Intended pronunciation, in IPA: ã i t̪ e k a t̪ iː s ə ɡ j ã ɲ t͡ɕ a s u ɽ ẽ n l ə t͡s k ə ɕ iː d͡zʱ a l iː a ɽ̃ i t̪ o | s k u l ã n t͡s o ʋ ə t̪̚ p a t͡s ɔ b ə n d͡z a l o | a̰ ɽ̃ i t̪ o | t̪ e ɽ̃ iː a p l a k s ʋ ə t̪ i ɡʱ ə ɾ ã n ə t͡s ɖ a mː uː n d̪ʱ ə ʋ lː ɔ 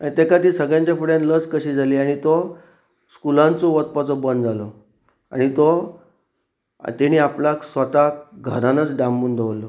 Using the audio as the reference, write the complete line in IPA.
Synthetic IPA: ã i t̪ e k a t̪ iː s ə ɡ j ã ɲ t͡ɕ a f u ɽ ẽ n l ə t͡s k ə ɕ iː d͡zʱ a l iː a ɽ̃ i t̪ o | s k u l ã n t͡s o ʋ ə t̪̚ p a t͡s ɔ b ə n d͡z a l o | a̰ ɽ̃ i t̪ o | t̪ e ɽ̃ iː a p l a k s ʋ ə t̪ a ɡʱ ə ɾ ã n ə t͡s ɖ a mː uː n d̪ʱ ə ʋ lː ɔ

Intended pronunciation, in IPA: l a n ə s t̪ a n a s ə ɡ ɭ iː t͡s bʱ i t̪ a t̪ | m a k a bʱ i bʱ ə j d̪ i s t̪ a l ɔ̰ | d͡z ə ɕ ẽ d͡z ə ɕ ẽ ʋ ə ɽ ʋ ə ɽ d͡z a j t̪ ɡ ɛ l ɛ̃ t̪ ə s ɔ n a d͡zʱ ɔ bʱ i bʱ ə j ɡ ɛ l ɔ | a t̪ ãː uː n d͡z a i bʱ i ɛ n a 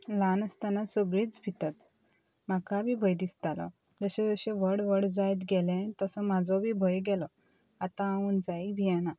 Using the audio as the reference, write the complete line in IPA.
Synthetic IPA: l a n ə s t̪ a n a s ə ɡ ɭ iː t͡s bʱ i t̪ a t̪ | m a k a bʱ i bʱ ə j d̪ i s t̪ a l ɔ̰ | d͡z ə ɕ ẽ d͡z ə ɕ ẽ ʋ ə ɽ ʋ ə ɽ d͡z a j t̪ ɡ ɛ l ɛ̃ t̪ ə s ɔ m a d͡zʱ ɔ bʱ i bʱ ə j ɡ ɛ l ɔ | a t̪ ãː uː n d͡z a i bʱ i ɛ n a

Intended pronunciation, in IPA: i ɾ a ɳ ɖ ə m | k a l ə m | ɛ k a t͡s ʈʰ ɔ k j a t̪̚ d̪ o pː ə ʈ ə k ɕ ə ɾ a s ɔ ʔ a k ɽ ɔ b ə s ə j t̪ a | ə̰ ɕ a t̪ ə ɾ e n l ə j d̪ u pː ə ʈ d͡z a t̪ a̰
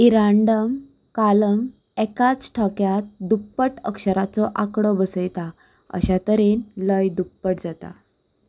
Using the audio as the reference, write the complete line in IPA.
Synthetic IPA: i ɾ a ɳ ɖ ə m | k a l ə m | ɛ k a t͡s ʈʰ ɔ k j a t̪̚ d̪ u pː ə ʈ ə k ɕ ə ɾ a t͡s ɔ ʔ a k ɽ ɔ b ə s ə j t̪ a | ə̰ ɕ a t̪ ə ɾ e n l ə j d̪ u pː ə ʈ d͡z a t̪ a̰

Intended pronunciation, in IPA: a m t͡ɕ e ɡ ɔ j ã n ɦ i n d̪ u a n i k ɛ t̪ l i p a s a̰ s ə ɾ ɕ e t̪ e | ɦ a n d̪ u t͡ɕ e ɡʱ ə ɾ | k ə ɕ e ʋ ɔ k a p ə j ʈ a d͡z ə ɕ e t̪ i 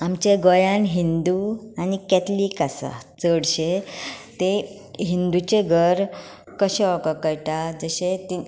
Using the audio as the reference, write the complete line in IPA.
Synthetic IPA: a m t͡ɕ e ɡ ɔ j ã n ɦ i n d̪ u a n i k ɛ t̪ l i k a s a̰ t͡s ə ɽ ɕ e t̪ e | ɦ i n d̪ u t͡ɕ e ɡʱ ə ɾ | k ə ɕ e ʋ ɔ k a k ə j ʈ a d͡z ə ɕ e t̪ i

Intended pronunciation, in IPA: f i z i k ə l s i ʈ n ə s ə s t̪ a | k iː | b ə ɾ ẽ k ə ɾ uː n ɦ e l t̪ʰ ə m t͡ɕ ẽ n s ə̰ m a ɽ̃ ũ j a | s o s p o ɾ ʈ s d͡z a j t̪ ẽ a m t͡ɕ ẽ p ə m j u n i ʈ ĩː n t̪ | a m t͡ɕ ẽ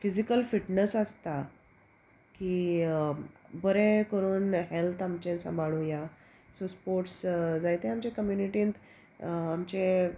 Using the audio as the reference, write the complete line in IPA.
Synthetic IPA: f i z i k ə l f i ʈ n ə s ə s t̪ a | k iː | b ə ɾ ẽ k ə ɾ uː n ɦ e l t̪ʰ a m t͡ɕ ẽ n s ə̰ m a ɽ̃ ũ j a | s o s p o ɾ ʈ s d͡z a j t̪ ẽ a m t͡ɕ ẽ k ə m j u n i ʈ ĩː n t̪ | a m t͡ɕ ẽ

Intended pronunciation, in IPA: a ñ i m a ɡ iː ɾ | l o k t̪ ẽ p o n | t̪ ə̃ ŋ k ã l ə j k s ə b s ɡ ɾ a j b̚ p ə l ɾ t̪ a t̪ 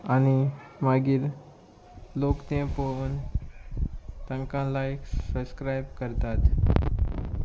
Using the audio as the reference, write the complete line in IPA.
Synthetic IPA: a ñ i m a ɡ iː ɾ | l o k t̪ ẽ p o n | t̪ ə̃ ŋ k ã l a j k s ə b s k ɾ a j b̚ k ə ɾ t̪ a t̪

